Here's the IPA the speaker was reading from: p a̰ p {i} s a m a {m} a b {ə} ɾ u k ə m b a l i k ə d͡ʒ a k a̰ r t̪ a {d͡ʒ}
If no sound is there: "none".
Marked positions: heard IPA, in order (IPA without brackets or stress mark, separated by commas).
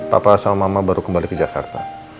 a, m, a, none